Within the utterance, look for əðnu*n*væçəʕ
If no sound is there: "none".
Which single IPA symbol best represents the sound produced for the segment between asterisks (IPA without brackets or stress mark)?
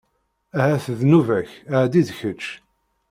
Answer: none